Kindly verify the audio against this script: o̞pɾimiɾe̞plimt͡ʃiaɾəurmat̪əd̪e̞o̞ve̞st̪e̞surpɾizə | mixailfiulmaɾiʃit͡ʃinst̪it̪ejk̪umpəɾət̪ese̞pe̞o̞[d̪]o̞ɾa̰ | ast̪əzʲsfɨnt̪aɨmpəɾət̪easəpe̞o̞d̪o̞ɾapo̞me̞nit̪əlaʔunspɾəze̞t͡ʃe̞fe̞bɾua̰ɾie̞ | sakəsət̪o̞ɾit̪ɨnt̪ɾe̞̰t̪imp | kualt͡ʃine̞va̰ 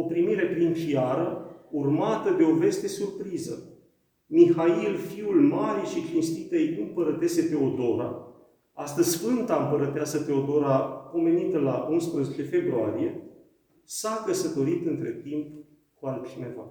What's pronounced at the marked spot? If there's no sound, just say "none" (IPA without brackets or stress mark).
d̪